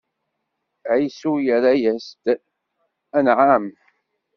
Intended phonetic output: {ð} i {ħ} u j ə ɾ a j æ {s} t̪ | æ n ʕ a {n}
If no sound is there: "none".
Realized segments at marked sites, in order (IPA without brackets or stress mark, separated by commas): ʕ, s, s, m